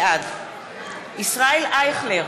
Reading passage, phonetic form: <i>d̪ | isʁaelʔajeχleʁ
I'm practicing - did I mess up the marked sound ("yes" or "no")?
yes